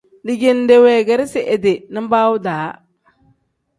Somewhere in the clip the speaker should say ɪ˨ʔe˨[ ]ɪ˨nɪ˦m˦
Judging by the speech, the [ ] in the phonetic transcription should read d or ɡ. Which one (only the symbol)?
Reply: d